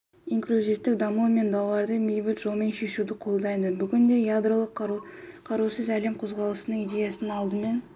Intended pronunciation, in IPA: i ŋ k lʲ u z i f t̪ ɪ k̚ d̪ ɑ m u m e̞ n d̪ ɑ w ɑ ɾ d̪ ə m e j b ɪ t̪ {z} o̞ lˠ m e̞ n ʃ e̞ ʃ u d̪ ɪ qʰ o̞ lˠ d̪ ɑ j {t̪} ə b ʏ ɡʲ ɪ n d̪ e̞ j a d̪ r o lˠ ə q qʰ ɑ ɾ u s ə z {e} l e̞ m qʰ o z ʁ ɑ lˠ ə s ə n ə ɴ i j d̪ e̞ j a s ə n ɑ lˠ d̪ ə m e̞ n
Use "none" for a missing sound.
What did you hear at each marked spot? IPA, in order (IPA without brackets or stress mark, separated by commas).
ʒ, d̪, æ